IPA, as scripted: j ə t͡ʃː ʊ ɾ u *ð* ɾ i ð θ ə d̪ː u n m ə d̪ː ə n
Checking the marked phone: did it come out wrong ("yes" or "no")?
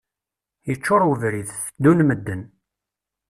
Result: yes